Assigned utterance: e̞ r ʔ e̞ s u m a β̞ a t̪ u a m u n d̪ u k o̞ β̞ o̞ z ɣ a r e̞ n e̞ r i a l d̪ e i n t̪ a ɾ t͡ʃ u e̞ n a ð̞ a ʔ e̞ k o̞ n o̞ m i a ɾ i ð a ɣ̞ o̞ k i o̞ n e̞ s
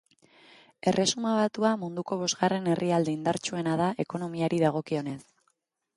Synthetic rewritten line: e̞ r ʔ e̞ s u m a β̞ a t̪ u a m u n d̪ u k o̞ β̞ o̞ z ɣ a r e̞ n e̞ r i a l d̪ e i n d̪ a ɾ t͡ʃ u e̞ n a ð̞ a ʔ e̞ k o̞ n o̞ m i a ɾ i ð a ɣ̞ o̞ k i o̞ n e̞ s